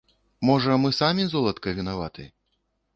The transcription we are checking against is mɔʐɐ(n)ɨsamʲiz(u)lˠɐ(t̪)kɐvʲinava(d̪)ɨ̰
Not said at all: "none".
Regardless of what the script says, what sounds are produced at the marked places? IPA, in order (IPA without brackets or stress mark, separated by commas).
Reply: m, ɔ, t̪, t̪